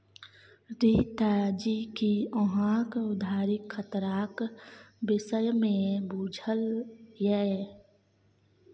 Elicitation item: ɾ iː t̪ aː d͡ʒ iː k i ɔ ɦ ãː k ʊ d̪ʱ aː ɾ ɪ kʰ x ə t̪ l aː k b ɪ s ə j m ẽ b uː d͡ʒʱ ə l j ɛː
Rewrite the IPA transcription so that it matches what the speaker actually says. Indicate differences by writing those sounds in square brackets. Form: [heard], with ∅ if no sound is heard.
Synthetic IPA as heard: ɾ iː t̪ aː d͡ʒ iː k i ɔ ɦ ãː k ʊ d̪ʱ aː ɾ ɪ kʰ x ə t̪ [ɾ] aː k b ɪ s ə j m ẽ b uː d͡ʒʱ ə l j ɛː

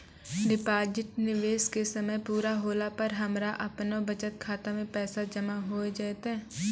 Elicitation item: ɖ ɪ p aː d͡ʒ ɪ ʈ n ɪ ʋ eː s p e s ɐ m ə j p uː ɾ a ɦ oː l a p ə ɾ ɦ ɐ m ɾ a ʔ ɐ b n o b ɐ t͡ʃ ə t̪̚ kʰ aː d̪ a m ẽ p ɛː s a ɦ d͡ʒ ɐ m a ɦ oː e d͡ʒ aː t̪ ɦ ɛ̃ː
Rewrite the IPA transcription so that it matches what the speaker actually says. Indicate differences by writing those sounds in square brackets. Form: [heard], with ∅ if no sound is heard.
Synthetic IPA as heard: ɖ ɪ p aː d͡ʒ ɪ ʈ n ɪ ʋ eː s [k] e s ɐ m ə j p uː ɾ a ɦ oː l a p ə ɾ ɦ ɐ m ɾ a ʔ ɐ [p] n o b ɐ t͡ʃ ə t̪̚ kʰ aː [t̪] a m ẽ p ɛː s a [∅] d͡ʒ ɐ m a ɦ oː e d͡ʒ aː t̪ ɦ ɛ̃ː

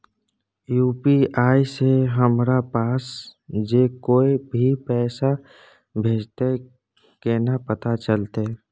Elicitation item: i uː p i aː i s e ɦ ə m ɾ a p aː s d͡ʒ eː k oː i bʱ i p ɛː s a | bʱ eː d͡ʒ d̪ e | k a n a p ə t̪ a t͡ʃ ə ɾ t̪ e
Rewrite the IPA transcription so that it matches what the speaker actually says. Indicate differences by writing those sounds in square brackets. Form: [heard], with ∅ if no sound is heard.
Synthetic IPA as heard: [j] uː p i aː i s e ɦ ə m ɾ a p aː s d͡ʒ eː k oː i bʱ i p ɛː s a | bʱ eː d͡ʒ [t̪] e | k [e] n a p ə t̪ a t͡ʃ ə [l] t̪ e

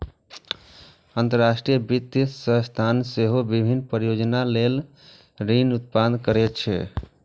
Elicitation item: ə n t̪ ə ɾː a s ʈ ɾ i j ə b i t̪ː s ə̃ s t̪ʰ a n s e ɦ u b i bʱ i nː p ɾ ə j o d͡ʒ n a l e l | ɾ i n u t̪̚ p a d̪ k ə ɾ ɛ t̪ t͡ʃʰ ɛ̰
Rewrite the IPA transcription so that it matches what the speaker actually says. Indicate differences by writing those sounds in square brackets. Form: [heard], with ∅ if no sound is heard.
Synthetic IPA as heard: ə n t̪ ə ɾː a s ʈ ɾ i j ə b i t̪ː s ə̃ s t̪ʰ a n s e ɦ [o] b i bʱ i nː p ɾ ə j o d͡ʒ n a l e l | ɾ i n u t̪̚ p a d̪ k ə ɾ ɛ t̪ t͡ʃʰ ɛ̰

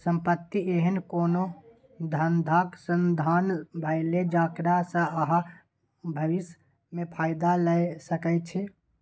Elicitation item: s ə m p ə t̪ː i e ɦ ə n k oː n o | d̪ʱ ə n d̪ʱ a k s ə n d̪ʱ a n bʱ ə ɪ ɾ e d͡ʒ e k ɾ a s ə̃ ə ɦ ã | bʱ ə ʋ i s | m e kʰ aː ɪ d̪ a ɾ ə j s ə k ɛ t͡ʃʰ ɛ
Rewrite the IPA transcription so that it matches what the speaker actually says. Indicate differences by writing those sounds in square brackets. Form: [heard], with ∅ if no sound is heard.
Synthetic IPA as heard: s ə m p ə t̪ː i e ɦ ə n k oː n o | d̪ʱ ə n d̪ʱ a k s ə n d̪ʱ a n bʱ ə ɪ [l] e d͡ʒ [a] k ɾ a s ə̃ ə ɦ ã | bʱ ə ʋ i s | m e [pʰ] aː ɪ d̪ a [l] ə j s ə k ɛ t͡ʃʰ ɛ

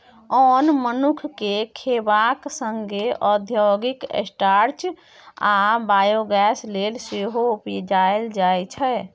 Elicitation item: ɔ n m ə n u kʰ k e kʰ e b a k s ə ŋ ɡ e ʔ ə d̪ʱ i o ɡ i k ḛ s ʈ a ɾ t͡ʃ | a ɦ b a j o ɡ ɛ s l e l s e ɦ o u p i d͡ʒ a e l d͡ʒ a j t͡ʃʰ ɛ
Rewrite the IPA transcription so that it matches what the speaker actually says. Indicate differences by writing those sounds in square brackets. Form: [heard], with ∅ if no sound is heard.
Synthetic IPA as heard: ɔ n m ə n u kʰ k e kʰ e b a k s ə ŋ ɡ e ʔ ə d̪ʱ [j] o ɡ i k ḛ s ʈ a ɾ t͡ʃ | a [∅] b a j o ɡ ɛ s l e l s e ɦ o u p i d͡ʒ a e l d͡ʒ a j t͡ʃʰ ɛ

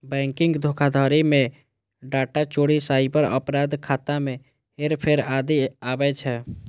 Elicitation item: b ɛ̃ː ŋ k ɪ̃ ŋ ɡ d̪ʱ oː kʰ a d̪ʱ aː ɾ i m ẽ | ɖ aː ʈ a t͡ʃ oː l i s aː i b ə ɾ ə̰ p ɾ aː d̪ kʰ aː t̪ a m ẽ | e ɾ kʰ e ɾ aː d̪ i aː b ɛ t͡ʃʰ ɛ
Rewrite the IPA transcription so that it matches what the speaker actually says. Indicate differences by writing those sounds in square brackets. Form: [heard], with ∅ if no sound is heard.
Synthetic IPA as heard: b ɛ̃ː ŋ k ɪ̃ ŋ ɡ d̪ʱ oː kʰ a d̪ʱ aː ɾ i m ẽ | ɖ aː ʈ a t͡ʃ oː [ɽ] i s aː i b ə ɾ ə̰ p ɾ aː d̪ kʰ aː t̪ a m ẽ | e ɾ [pʰ] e ɾ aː d̪ i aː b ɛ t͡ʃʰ ɛ

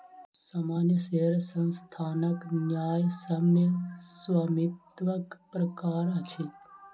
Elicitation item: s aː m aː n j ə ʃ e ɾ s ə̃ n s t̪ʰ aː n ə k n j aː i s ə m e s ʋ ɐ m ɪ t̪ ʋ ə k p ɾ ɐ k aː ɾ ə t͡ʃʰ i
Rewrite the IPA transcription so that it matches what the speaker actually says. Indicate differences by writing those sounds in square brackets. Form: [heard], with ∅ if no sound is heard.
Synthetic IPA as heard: s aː m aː n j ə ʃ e ɾ s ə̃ n s t̪ʰ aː n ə k n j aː [j] s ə m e s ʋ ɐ m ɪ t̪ ʋ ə k p ɾ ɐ k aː ɾ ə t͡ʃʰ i

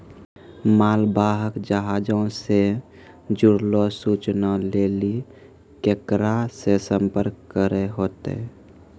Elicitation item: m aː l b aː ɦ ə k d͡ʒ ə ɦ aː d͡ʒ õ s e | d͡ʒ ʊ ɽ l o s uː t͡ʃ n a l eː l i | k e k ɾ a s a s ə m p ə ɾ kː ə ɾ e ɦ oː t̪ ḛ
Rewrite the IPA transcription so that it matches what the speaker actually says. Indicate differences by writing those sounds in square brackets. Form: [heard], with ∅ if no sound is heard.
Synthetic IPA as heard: m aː l b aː ɦ ə k d͡ʒ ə ɦ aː d͡ʒ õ s e | d͡ʒ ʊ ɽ l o s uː t͡ʃ n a l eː l i | k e k ɾ a s [e] s ə m p ə ɾ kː ə ɾ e ɦ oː t̪ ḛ

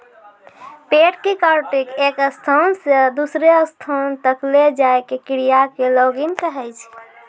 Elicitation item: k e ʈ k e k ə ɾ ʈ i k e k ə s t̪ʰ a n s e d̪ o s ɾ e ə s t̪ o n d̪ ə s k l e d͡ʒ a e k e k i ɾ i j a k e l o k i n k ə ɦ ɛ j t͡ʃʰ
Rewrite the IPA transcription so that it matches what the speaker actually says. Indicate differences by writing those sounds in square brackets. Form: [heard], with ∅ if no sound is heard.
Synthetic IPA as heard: [p] e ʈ k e k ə ɾ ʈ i k e k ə s t̪ʰ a n s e d̪ [u] s ɾ e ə s [t̪ʰ] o n [t̪] ə [∅] k l e d͡ʒ a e k e k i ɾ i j a k e l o [ɡ] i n k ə ɦ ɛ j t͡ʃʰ

